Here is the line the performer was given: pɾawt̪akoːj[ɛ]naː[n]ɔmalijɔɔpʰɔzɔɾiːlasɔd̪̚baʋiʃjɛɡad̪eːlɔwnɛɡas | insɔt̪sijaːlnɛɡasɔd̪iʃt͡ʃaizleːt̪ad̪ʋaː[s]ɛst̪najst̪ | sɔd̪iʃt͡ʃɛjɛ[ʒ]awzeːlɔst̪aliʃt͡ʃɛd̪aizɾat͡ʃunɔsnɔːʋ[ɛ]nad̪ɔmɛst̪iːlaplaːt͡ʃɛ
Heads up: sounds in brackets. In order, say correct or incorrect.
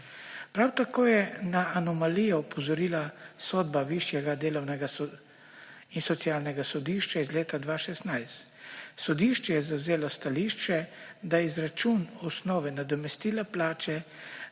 correct, correct, incorrect: ʃ, incorrect: z, correct

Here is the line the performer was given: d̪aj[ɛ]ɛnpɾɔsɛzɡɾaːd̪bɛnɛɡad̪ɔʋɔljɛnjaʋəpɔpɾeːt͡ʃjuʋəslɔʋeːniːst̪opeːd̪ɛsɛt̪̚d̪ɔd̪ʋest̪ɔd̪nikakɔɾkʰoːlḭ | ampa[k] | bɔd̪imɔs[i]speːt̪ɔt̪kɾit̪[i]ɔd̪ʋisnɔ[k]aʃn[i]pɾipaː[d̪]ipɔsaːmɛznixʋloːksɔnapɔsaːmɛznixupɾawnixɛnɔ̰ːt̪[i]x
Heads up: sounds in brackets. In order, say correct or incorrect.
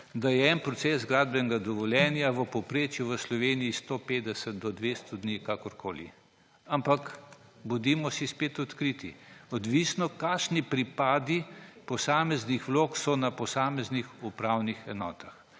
correct, correct, correct, correct, correct, correct, correct, incorrect: a

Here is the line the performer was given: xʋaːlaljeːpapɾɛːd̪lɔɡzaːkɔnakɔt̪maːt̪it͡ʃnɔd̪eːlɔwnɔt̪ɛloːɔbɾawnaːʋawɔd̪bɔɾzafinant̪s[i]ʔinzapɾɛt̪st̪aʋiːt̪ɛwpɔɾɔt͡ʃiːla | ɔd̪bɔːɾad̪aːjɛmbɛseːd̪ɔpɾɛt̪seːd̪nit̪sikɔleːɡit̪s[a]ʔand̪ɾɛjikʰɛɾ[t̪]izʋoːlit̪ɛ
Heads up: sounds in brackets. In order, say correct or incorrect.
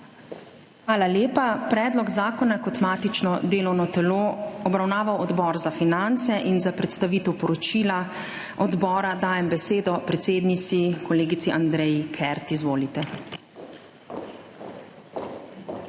incorrect: ɛ, incorrect: i, correct

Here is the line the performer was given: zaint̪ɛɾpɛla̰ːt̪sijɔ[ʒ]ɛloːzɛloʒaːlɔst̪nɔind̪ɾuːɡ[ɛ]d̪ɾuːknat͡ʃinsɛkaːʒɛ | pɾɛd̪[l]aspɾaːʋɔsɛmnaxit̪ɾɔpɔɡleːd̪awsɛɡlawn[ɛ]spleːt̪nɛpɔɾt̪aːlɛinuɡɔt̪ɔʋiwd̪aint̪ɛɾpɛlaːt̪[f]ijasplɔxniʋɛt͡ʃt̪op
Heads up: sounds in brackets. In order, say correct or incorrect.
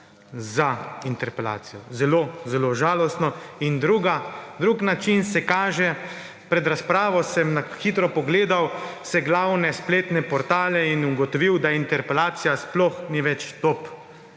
incorrect: z, incorrect: a, incorrect: ɾ, correct, incorrect: s

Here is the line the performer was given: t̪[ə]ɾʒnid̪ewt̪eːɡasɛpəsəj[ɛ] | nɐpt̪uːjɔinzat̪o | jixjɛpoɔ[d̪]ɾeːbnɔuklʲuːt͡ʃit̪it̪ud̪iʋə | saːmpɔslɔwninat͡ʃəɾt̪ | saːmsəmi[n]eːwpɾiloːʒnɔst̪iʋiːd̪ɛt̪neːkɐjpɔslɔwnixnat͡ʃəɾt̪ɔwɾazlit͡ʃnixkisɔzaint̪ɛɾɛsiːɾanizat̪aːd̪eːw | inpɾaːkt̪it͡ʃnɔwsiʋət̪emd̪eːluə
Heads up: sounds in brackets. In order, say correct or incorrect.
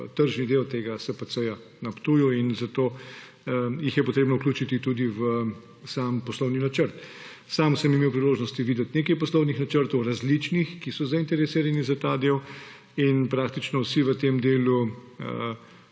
correct, incorrect: a, incorrect: t̪, incorrect: m

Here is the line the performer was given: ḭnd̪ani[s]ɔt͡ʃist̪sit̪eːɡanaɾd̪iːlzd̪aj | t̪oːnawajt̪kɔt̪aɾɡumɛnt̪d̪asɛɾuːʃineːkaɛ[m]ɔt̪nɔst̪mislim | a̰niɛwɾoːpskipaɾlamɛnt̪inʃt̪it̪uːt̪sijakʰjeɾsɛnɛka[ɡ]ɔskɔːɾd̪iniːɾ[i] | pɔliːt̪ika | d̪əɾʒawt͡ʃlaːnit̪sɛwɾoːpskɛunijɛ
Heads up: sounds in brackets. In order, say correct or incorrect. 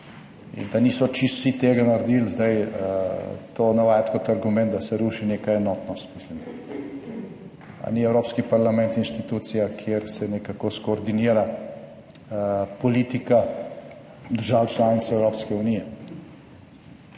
correct, incorrect: n, incorrect: k, incorrect: a

